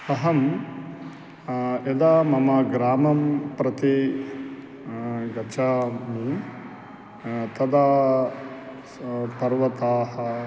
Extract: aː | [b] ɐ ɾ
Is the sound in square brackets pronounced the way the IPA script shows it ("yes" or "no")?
no